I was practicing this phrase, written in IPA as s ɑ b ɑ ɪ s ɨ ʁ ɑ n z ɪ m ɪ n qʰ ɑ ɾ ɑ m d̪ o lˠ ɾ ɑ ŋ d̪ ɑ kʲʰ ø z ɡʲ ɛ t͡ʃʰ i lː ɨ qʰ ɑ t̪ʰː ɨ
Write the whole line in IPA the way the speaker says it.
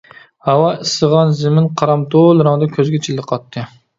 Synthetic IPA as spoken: h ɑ w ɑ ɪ s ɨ ʁ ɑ n z ɪ m ɪ n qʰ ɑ ɾ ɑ m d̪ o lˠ ɾ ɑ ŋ d̪ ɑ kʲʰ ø z ɡʲ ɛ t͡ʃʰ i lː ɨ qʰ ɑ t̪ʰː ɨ

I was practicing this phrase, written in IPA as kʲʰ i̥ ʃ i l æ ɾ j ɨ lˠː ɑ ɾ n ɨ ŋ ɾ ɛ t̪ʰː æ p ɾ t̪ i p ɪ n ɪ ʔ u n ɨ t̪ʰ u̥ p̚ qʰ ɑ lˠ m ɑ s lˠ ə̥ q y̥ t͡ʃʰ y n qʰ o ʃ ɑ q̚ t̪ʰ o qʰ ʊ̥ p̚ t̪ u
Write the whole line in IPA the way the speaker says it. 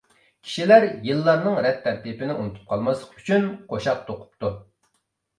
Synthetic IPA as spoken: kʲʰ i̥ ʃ i l æ ɾ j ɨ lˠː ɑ ɾ n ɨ ŋ ɾ ɛ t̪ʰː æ ɾ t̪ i p ɪ n ɪ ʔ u n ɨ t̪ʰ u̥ p̚ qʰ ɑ lˠ m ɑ s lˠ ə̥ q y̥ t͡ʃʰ y n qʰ o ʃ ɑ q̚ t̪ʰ o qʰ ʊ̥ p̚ t̪ u

